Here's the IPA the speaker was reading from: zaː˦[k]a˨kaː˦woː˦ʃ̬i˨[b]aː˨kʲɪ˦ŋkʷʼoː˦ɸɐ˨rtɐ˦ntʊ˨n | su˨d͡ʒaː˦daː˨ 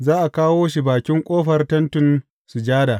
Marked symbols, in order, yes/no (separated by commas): no, yes